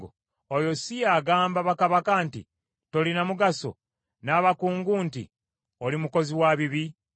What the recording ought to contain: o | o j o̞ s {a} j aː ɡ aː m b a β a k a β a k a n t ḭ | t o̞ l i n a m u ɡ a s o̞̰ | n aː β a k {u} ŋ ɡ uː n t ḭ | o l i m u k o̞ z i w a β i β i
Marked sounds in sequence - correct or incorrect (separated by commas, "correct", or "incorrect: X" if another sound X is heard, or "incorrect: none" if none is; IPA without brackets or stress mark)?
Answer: incorrect: i, incorrect: uː